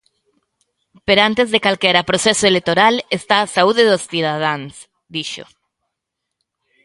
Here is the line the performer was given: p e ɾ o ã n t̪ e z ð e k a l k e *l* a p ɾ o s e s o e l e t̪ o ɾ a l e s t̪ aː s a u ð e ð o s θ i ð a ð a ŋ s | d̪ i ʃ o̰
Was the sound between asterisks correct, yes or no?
no